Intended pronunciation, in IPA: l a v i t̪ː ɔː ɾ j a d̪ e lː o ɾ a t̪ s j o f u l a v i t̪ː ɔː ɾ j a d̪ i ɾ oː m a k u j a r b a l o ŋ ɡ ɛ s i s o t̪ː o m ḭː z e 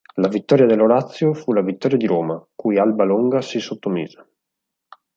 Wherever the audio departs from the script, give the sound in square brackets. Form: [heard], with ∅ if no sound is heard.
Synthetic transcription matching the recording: l a v i t̪ː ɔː ɾ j a d̪ e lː o ɾ a t̪ [sː] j o f u l a v i t̪ː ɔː ɾ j a d̪ i ɾ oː m a k u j a [l] b a l o ŋ ɡ [a] s i s o t̪ː o m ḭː z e